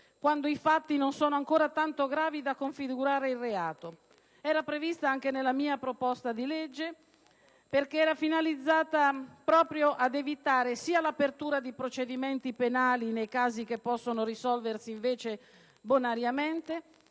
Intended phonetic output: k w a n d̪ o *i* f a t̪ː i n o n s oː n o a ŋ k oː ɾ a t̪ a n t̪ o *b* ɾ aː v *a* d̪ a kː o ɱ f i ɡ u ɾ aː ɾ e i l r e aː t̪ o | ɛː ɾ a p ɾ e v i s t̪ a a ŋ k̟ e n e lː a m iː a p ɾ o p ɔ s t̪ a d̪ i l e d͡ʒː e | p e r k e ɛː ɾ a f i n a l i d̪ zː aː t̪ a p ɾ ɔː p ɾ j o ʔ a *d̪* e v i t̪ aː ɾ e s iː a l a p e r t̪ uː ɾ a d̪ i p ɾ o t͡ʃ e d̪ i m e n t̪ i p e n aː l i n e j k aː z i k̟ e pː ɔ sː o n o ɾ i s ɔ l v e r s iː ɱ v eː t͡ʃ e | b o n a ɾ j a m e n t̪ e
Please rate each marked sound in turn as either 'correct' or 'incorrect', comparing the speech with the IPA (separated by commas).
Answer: correct, incorrect, incorrect, correct